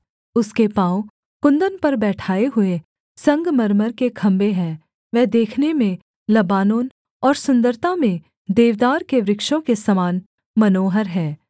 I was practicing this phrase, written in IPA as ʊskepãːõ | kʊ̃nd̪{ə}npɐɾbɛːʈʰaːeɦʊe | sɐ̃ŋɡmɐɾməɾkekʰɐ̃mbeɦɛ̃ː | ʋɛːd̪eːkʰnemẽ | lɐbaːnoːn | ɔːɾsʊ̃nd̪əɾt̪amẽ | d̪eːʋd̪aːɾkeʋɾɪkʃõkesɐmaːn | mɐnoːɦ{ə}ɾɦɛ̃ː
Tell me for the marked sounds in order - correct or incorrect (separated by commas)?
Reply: correct, correct